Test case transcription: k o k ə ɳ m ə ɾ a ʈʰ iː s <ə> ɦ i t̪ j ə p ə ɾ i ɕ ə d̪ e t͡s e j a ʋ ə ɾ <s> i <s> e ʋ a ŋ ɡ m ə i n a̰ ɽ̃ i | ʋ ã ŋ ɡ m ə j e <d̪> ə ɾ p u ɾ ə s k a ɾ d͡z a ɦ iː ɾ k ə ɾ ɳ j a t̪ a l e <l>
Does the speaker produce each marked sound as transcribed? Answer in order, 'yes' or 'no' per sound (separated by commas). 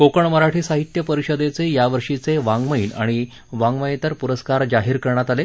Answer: no, no, no, no, no